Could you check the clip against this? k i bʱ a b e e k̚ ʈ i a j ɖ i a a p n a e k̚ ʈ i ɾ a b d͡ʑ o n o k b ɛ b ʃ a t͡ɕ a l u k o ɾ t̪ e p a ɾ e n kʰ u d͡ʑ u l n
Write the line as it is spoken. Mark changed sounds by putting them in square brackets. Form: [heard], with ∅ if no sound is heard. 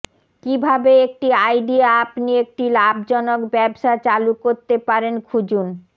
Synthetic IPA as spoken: k i bʱ a b e e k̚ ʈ i a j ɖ i a a p n [i] e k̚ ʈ i [l] a b d͡ʑ [ɔ] n o k b ɛ b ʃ a t͡ɕ a l u k o ɾ t̪ e p a ɾ e n kʰ u d͡ʑ u [∅] n